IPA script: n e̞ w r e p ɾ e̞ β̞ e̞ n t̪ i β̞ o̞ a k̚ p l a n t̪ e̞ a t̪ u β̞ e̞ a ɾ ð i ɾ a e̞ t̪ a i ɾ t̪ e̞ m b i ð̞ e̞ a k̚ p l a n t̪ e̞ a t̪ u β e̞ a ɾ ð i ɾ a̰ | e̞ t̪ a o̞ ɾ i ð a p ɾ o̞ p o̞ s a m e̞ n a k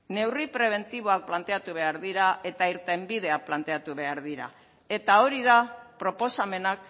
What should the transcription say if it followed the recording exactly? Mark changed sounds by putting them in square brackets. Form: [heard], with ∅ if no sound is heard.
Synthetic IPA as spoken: n e̞ w r [i] p ɾ e̞ β̞ e̞ n t̪ i β̞ o̞ a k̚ p l a n t̪ e̞ a t̪ u β̞ e̞ a ɾ ð i ɾ a e̞ t̪ a i ɾ t̪ e̞ m b i ð̞ e̞ a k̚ p l a n t̪ e̞ a t̪ u β e̞ a ɾ ð i ɾ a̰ | e̞ t̪ a o̞ ɾ i ð a p ɾ o̞ p o̞ s a m e̞ n a k